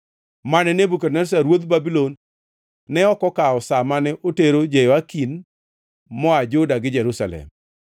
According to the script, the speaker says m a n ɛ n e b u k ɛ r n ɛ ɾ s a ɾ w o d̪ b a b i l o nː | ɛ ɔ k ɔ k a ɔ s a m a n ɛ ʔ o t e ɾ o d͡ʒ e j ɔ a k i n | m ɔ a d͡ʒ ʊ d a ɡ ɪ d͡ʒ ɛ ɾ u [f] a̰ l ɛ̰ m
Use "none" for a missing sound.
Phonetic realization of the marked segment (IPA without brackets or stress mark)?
s